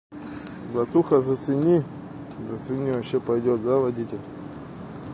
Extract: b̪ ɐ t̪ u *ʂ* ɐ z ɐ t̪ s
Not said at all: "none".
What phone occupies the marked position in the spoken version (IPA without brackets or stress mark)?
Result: x